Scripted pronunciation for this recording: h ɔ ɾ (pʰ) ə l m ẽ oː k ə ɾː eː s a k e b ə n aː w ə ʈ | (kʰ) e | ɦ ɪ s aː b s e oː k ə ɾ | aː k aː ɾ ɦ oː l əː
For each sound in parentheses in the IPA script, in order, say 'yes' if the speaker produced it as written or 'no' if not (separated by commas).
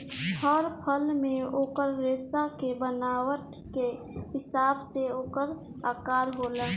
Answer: yes, no